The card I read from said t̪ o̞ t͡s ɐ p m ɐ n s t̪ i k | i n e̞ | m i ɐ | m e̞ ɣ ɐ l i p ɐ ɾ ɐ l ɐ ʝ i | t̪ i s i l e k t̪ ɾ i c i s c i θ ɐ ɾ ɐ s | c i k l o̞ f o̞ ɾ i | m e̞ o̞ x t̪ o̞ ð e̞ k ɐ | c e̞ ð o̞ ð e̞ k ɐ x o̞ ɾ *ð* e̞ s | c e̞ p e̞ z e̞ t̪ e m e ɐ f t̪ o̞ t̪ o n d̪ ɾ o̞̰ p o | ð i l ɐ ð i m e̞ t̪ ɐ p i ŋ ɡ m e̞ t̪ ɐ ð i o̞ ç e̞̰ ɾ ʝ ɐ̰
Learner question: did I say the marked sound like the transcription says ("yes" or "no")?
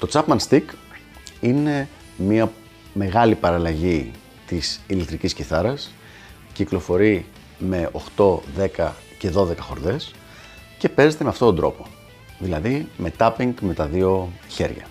yes